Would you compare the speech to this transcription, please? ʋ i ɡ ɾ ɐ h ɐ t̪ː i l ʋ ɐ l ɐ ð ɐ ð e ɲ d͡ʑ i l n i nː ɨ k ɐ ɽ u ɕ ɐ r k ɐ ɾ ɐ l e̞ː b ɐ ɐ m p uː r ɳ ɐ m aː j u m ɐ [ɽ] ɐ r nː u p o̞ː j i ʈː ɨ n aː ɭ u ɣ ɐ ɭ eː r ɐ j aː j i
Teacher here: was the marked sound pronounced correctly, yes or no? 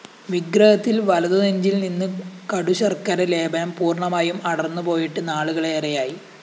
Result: yes